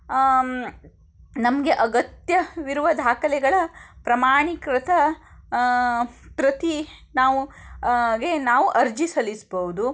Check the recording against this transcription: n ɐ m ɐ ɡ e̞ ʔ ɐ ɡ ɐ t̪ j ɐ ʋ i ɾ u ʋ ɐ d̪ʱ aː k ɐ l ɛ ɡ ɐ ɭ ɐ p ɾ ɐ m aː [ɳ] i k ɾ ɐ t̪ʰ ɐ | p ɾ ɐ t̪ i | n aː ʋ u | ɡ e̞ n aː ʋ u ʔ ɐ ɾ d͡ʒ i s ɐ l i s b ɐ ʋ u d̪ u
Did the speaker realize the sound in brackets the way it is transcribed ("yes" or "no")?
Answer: yes